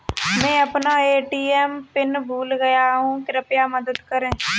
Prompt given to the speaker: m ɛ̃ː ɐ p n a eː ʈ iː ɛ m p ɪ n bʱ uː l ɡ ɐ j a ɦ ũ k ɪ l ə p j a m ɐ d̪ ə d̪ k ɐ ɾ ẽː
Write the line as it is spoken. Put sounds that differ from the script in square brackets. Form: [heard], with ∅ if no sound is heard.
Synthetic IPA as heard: m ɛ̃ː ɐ p n a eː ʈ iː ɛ m p ɪ n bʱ uː l ɡ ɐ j a ɦ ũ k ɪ [ɾ] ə p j a m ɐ d̪ ə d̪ k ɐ ɾ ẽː